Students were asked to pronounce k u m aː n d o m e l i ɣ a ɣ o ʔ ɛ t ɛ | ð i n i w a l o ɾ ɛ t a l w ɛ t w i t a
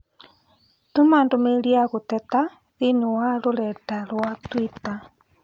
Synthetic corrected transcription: t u m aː n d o m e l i a ɣ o t ɛ t a | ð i n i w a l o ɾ ɛ t a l w a t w i t a